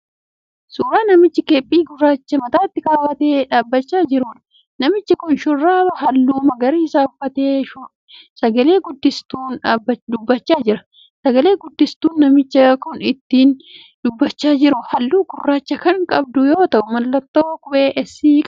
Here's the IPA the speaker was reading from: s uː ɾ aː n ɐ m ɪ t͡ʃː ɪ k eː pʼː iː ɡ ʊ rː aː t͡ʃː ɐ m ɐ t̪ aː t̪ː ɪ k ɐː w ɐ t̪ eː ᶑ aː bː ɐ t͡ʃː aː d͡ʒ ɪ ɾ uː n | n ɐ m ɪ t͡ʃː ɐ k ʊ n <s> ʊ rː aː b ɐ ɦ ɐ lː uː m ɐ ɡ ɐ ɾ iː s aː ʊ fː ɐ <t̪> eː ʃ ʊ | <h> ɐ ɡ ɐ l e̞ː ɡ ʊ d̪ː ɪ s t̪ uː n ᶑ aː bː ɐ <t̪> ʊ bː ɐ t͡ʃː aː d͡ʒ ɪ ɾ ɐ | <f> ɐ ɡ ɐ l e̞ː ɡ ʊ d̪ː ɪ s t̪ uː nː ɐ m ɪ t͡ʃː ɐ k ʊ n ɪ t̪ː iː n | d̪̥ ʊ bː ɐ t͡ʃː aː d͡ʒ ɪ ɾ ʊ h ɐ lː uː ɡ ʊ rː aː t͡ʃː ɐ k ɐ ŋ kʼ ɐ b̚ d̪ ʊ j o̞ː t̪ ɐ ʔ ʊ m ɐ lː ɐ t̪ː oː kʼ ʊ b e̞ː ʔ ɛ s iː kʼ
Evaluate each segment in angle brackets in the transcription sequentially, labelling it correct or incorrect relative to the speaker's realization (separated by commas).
incorrect, correct, incorrect, incorrect, incorrect